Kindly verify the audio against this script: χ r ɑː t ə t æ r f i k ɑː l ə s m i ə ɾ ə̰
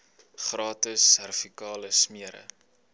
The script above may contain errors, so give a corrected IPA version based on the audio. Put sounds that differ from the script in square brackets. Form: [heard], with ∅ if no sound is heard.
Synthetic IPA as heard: χ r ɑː t ə [s] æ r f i k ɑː l ə s m i ə ɾ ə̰